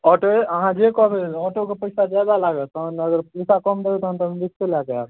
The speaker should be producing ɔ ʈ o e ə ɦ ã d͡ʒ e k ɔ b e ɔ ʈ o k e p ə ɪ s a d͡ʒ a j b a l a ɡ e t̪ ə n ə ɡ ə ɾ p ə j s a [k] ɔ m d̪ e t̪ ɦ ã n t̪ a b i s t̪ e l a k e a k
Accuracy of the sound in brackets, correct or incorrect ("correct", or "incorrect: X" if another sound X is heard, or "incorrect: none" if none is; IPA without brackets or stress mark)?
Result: correct